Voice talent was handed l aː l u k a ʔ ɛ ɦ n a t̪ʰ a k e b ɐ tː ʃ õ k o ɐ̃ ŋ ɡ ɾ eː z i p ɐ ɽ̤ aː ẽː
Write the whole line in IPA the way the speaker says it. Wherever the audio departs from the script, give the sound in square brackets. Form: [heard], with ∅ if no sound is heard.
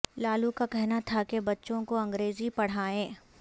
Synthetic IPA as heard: l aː l u k a [k] ɛ ɦ n a t̪ʰ a k e b ɐ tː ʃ õ k o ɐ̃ ŋ ɡ ɾ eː z i p ɐ ɽ̤ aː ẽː